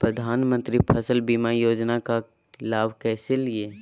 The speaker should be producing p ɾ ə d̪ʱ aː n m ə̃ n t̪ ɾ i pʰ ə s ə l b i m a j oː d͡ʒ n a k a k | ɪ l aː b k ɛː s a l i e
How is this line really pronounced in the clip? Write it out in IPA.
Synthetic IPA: p ɾ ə d̪ʱ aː n m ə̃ n t̪ ɾ i pʰ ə s ə l b i m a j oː d͡ʒ n a k a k | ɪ l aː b k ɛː s e l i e